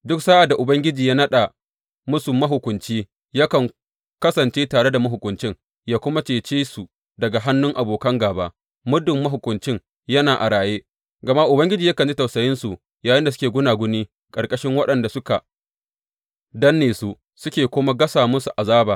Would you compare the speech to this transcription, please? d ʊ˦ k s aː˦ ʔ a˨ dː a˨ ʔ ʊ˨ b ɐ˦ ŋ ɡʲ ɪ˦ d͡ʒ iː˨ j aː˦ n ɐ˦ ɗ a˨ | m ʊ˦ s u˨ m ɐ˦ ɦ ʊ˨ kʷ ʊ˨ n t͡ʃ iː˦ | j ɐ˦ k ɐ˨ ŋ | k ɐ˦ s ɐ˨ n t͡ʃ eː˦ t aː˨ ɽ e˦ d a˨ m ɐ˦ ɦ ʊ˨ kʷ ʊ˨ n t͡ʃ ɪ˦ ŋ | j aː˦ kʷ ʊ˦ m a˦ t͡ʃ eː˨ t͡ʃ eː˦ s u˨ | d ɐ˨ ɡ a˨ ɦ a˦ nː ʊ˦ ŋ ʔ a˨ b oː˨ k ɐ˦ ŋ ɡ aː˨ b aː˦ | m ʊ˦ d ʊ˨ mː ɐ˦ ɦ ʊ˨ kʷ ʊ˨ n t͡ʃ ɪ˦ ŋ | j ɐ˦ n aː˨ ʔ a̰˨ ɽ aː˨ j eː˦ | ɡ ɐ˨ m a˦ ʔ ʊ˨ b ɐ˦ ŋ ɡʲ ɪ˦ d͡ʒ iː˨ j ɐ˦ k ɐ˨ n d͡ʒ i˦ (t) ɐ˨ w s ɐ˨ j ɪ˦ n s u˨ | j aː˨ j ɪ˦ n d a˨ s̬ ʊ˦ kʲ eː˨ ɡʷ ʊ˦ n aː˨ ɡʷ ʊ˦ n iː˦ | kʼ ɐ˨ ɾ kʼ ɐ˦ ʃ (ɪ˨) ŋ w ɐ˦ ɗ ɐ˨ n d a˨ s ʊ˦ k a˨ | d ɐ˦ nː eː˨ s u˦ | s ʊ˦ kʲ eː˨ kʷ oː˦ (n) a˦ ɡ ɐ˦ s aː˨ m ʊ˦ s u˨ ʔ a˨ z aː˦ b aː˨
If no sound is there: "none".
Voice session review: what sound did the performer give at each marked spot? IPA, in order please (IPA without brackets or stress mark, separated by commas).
t, ɪ˦, m